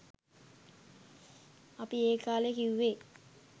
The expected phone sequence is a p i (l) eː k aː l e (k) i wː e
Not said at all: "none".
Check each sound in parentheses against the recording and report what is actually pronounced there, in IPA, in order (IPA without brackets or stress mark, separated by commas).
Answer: none, k